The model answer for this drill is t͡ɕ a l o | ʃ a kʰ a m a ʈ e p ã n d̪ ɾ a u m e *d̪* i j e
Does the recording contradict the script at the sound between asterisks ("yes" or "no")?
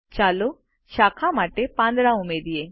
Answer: no